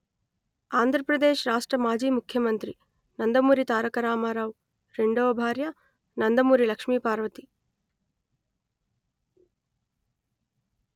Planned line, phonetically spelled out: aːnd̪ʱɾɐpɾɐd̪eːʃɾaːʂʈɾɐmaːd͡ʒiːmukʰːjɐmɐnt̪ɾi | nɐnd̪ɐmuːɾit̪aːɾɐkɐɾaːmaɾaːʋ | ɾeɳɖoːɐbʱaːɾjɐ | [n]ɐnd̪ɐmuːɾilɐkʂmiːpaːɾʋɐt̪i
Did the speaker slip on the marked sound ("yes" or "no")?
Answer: no